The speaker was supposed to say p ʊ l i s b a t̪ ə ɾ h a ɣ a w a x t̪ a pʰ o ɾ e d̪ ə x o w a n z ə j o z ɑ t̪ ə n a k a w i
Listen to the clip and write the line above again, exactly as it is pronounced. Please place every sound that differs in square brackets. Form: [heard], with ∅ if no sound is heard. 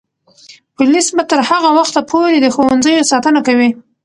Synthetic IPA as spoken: p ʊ l i s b a t̪ ə ɾ h a ɣ a w a x t̪ a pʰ o ɾ e d̪ ə x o w a n z ə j o [s] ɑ t̪ ə n a k a w i